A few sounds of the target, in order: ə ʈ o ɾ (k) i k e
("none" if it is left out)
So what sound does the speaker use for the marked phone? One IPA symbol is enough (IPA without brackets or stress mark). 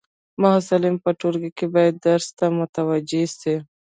ɡ